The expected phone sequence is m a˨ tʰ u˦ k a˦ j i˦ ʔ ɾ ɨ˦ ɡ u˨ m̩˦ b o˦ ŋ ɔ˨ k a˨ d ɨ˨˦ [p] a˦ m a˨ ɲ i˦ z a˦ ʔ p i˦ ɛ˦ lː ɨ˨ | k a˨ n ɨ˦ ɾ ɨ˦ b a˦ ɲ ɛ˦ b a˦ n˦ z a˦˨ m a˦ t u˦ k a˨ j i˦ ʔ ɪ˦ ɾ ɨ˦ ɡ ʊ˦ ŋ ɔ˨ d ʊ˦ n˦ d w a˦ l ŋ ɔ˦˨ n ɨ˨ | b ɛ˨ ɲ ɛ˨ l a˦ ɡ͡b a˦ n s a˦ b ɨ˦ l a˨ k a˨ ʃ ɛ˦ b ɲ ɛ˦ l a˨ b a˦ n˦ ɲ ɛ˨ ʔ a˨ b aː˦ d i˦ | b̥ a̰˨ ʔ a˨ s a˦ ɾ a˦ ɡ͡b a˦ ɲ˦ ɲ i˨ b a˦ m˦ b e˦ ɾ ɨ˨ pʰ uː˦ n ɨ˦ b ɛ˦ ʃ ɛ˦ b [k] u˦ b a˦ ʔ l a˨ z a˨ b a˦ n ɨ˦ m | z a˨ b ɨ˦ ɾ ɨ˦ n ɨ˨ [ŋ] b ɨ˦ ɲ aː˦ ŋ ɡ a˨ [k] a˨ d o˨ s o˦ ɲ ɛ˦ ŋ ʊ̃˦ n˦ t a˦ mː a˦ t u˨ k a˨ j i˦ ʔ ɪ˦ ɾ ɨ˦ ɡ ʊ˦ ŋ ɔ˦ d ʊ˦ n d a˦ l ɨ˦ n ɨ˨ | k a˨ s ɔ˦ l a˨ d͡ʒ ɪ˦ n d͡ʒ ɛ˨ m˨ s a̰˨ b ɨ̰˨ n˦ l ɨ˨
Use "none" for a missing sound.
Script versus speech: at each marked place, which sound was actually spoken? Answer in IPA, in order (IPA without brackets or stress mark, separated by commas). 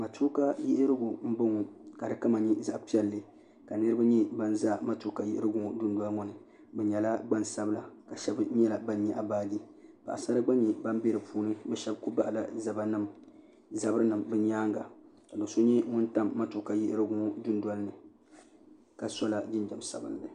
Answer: k, k, m, k